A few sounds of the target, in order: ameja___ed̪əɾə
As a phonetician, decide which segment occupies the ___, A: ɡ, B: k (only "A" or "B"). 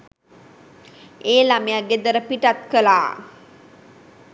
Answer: A